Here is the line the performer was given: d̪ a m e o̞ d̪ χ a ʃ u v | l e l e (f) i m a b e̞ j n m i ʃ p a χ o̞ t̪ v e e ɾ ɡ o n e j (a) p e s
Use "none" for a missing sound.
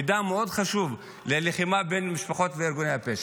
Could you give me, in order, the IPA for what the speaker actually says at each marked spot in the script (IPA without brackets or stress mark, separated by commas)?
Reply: χ, a